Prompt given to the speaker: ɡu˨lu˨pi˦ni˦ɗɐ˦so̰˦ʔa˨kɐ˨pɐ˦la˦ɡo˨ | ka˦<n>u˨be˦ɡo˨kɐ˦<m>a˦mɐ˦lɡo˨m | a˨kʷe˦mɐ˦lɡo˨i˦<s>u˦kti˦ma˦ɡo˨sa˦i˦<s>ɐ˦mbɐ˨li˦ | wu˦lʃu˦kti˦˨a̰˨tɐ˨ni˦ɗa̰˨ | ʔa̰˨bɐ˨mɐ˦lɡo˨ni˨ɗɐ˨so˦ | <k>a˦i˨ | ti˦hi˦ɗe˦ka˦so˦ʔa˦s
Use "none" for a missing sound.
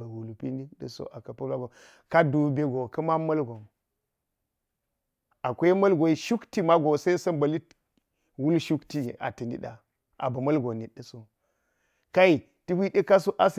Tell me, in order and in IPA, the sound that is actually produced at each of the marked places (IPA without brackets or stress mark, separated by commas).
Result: d, m, ʃ, s, k